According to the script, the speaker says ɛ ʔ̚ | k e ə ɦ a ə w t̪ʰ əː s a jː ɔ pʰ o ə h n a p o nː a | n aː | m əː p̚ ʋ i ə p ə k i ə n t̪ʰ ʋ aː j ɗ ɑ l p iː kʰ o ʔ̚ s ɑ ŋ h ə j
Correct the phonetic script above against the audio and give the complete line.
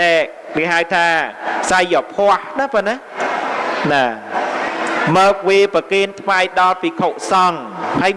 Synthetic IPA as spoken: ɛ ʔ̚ | k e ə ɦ a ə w t̪ʰ aː s a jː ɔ pʰ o ə h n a p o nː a | n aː | m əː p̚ ʋ i ə p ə k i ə n t̪ʰ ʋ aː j ɗ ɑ l p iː kʰ o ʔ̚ s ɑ ŋ h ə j